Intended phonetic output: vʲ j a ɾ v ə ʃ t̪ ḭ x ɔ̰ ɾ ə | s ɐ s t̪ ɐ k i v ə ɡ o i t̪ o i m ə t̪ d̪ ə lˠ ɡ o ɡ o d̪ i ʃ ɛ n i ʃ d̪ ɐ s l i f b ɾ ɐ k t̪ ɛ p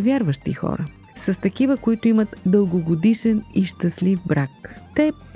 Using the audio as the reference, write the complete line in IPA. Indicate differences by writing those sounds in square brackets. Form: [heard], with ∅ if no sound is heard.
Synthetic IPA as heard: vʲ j a ɾ v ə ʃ t̪ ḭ x ɔ̰ ɾ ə | s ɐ s t̪ ɐ k i v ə [k] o i t̪ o i m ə t̪ d̪ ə lˠ ɡ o ɡ o d̪ i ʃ ɛ n i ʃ [t̪] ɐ s l i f b ɾ [a] k t̪ ɛ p